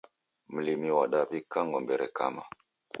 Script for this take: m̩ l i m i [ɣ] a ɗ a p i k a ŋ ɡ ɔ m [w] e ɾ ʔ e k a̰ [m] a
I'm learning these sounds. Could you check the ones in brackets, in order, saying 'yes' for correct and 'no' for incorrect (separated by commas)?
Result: no, no, yes